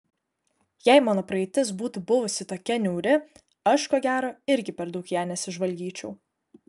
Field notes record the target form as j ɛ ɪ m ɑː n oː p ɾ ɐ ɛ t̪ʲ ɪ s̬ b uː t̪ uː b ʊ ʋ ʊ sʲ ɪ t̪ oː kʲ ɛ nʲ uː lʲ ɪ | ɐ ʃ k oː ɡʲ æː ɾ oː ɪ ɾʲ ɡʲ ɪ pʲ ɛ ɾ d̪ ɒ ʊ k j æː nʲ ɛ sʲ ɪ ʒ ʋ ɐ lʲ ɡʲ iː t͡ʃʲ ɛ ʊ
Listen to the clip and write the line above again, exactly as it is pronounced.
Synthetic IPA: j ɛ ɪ m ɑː n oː p ɾ ɐ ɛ t̪ʲ ɪ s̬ b uː t̪ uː b ʊ ʋ ʊ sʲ ɪ t̪ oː kʲ ɛ nʲ uː ɾʲ ɪ | ɐ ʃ k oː ɡʲ æː ɾ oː ɪ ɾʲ ɡʲ ɪ pʲ ɛ ɾ d̪ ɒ ʊ k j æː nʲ ɛ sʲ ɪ ʒ ʋ ɐ lʲ ɡʲ iː t͡ʃʲ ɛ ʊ